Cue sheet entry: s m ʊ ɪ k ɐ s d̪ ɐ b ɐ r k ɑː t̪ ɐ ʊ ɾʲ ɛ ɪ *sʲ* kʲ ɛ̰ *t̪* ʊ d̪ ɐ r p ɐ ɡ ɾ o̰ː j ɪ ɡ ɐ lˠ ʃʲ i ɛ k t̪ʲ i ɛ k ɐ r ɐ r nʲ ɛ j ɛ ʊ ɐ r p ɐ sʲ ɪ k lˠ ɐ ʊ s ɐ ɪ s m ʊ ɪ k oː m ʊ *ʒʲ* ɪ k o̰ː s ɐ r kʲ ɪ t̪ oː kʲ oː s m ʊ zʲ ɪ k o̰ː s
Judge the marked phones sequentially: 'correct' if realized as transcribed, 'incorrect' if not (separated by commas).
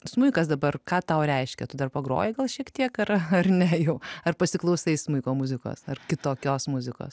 incorrect, correct, incorrect